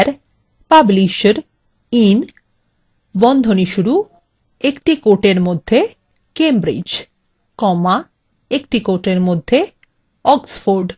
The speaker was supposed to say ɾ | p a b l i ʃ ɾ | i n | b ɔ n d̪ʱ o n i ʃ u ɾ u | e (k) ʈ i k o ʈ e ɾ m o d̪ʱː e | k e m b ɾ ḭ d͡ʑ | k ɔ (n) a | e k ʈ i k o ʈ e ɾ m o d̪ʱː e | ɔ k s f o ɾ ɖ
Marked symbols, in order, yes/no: yes, no

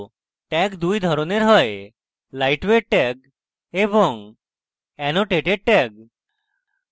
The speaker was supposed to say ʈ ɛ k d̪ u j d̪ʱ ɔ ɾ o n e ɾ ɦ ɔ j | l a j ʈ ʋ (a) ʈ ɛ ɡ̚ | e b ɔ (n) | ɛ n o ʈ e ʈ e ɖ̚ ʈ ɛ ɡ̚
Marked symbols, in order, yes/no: no, no

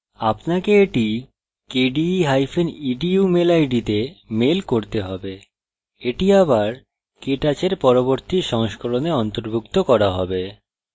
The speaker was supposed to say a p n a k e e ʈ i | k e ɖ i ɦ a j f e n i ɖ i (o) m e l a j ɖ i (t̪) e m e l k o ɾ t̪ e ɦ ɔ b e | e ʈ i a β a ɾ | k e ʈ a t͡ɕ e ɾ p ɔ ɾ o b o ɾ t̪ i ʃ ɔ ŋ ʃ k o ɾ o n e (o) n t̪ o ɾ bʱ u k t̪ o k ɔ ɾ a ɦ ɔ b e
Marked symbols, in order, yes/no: no, yes, no

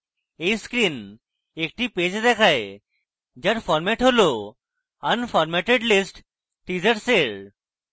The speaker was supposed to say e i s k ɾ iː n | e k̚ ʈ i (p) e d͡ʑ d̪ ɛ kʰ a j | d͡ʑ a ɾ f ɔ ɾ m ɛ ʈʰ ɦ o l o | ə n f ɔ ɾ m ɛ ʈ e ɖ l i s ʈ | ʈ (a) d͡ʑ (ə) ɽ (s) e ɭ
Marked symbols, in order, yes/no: yes, no, yes, yes

